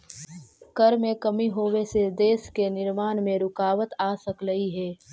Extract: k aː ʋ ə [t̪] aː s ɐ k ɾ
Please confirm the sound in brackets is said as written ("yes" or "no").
yes